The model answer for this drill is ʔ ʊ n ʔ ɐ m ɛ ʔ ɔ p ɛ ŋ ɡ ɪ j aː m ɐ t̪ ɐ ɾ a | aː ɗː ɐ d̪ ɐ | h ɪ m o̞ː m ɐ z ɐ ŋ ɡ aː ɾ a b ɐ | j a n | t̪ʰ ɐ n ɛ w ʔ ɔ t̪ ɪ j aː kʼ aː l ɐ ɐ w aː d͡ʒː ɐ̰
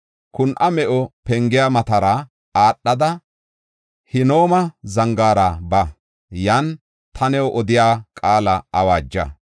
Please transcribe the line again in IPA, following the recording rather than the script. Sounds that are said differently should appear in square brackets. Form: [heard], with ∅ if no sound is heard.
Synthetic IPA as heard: [k] ʊ n ʔ ɐ m ɛ ʔ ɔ p ɛ ŋ ɡ ɪ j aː m ɐ t̪ ɐ ɾ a | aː ɗː ɐ d̪ ɐ | h ɪ [n] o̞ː m ɐ z ɐ ŋ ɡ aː ɾ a b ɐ | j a n | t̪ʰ ɐ n ɛ w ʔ ɔ [d̪] ɪ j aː kʼ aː l ɐ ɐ w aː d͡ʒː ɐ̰